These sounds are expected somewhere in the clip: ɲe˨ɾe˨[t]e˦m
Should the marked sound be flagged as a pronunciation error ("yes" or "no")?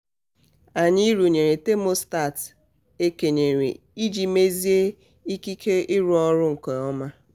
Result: no